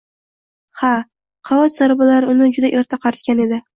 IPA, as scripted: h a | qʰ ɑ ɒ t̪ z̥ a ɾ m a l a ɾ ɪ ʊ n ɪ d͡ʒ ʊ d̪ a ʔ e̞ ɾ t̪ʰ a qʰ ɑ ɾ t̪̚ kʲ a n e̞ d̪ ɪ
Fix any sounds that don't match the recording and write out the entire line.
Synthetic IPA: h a | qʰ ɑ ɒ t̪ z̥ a ɾ b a l a ɾ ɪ ʊ n ɪ d͡ʒ ʊ d̪ a ʔ e̞ ɾ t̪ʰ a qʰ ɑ ɾ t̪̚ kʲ a n e̞ d̪ ɪ